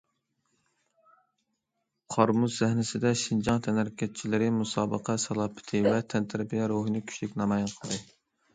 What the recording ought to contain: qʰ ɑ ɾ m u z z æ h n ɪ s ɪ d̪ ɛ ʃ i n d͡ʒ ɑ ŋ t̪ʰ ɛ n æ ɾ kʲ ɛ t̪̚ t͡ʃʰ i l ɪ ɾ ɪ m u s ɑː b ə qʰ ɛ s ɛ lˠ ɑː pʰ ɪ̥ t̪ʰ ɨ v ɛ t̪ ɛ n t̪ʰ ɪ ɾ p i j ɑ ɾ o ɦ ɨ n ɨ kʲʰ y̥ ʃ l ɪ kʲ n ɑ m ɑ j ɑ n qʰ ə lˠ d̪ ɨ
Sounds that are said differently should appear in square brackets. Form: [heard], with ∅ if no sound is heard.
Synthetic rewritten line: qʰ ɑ ɾ m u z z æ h n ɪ s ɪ d̪ ɛ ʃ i n d͡ʒ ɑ ŋ t̪ʰ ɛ n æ ɾ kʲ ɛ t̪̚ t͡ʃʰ i l ɪ ɾ ɪ m u s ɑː b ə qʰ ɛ s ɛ lˠ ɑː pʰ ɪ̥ t̪ʰ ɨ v ɛ [t̪ʰ] ɛ n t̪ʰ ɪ ɾ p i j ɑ ɾ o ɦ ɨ n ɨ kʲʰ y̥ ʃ l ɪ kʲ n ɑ m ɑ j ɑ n qʰ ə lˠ d̪ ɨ